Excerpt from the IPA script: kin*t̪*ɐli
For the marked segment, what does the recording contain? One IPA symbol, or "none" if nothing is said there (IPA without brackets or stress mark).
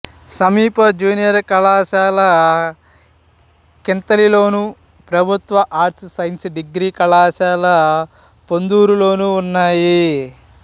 t̪